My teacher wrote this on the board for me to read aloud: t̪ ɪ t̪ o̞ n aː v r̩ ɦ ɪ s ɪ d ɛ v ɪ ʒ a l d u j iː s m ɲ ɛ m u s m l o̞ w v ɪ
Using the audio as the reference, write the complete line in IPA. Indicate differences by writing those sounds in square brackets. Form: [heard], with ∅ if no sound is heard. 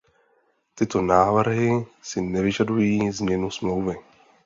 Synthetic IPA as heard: t̪ ɪ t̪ o̞ n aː v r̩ ɦ ɪ s ɪ [n] ɛ v ɪ ʒ a [∅] d u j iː [z] m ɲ ɛ [n] u s m l o̞ w v ɪ